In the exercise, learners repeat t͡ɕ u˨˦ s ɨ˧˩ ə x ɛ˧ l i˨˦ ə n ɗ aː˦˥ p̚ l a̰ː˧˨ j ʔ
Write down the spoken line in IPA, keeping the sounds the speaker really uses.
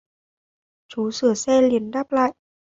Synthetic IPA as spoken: t͡ɕ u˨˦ s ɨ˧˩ ə s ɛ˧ l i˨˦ ə n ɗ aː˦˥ p̚ l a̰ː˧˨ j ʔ